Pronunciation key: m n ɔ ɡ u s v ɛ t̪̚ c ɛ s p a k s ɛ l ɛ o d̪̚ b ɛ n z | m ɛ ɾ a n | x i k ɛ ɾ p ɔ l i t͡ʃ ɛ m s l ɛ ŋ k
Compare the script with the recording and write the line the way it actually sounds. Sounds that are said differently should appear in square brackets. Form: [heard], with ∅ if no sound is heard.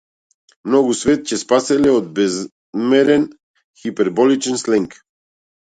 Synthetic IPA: m n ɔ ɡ u s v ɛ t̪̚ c ɛ s p a [∅] s ɛ l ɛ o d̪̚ b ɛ [∅] z | m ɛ ɾ [ɛ] n | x i [p] ɛ ɾ [b] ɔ l i t͡ʃ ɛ [n] s l ɛ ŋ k